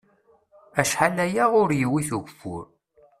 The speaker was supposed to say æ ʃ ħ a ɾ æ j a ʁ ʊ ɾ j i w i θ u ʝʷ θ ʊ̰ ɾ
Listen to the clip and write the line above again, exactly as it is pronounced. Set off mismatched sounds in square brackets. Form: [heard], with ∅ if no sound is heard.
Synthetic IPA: æ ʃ ħ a [l] æ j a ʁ ʊ ɾ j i w i θ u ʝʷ [f] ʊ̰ ɾ